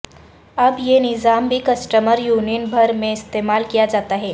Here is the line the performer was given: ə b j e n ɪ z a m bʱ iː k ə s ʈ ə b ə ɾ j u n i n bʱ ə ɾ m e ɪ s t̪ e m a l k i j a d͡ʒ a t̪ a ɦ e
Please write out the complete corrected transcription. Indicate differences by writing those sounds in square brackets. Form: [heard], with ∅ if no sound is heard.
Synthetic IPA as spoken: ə b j e n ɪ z a m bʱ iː k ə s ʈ ə [m] ə ɾ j u n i n bʱ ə ɾ m e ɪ s t̪ e m a l k i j a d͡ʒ a t̪ a ɦ e

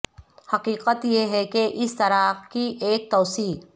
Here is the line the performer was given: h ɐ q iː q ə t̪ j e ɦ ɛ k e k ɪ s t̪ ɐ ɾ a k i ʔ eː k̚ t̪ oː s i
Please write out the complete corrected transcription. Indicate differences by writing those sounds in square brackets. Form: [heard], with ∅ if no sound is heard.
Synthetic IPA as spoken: h ɐ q iː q ə t̪ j e ɦ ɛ k e [ʔ] ɪ s t̪ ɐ ɾ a k i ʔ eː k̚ t̪ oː s [iː]

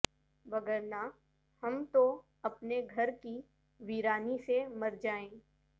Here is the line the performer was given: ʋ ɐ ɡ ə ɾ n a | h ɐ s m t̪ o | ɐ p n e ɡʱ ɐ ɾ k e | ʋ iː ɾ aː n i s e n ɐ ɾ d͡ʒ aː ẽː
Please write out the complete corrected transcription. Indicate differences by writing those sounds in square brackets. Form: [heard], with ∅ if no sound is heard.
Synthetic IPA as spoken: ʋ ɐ ɡ ə ɾ n a | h ɐ [∅] m t̪ o | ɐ p n e ɡʱ ɐ ɾ k [i] | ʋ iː ɾ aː n i s e [m] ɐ ɾ d͡ʒ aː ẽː

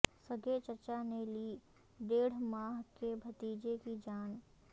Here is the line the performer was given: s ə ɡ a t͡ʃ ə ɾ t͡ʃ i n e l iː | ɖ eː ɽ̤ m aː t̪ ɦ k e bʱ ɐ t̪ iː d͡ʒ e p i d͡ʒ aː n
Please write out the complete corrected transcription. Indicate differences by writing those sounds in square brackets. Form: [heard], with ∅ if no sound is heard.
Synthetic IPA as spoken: s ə ɡ [e] t͡ʃ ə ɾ t͡ʃ [a] n e l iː | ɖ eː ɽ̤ m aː [∅] ɦ k e bʱ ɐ t̪ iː d͡ʒ e [k] i d͡ʒ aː n

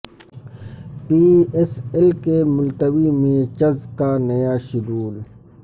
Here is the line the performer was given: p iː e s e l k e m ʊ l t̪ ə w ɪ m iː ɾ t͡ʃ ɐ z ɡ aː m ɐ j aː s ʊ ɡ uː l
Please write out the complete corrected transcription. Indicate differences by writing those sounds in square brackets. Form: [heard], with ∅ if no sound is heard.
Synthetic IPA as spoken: p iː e s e l k e m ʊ l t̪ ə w [i] m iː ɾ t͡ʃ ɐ z [k] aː [n] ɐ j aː [ʃ] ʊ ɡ uː l

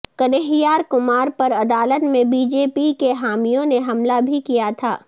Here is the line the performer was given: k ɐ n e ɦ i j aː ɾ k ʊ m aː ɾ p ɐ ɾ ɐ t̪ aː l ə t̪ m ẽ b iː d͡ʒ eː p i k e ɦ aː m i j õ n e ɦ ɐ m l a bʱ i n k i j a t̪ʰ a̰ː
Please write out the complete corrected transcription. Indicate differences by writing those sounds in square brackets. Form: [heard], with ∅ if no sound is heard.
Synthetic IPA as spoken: k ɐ n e ɦ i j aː ɾ k ʊ m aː ɾ p ɐ ɾ ɐ [d̪] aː l ə t̪ m ẽ b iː d͡ʒ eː p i k e ɦ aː m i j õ n e ɦ ɐ m l a bʱ i [∅] k i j a t̪ʰ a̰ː

